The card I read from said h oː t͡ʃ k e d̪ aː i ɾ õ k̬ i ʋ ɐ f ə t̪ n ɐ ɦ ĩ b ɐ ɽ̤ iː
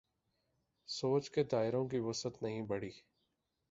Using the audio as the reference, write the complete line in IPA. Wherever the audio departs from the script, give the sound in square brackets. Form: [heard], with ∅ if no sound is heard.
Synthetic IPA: [s] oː t͡ʃ k e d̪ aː [ɪ] ɾ õ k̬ i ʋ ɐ [s] ə t̪ n ɐ ɦ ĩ b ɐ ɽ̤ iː